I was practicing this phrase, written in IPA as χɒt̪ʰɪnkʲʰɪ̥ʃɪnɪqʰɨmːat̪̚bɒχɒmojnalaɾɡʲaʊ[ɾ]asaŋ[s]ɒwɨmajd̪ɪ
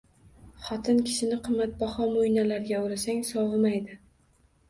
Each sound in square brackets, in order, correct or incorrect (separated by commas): correct, correct